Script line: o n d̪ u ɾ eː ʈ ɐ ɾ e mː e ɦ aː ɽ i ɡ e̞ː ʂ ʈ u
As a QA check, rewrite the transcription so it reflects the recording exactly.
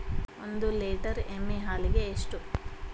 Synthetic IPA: o n d̪ u l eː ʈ ɐ ɾ e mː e ɦ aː l i ɡ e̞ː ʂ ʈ u